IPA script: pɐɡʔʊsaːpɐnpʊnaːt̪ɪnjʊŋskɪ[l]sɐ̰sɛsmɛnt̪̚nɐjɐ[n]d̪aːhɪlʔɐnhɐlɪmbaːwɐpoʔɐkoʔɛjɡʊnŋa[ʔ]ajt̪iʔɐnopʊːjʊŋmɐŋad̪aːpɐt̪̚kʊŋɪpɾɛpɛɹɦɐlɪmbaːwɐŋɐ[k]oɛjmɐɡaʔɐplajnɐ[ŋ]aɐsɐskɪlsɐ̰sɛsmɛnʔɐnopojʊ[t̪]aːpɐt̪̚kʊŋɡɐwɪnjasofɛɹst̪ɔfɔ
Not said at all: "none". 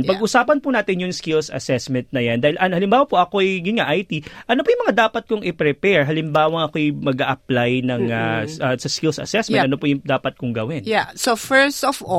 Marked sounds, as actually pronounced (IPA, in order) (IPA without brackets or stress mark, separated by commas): l, n, ʔ, k, ŋ, d̪